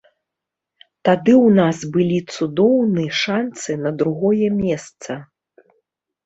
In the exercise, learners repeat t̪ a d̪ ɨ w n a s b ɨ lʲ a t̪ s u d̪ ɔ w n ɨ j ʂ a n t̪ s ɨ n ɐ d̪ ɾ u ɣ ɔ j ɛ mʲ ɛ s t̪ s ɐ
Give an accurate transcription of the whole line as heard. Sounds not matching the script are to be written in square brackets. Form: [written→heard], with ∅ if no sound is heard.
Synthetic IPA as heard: t̪ a d̪ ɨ w n a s b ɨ lʲ [a→i] t̪ s u d̪ ɔ w n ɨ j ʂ a n t̪ s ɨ n ɐ d̪ ɾ u ɣ ɔ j ɛ mʲ ɛ s t̪ s ɐ